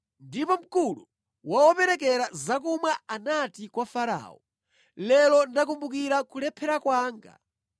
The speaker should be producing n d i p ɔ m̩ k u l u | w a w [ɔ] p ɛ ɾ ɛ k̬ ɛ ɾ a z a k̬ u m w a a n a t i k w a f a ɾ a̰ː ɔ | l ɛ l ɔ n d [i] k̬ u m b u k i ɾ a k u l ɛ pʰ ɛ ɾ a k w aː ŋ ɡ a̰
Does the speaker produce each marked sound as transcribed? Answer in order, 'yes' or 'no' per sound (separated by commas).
yes, no